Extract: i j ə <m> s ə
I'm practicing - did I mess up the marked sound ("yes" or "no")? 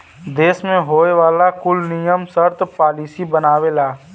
no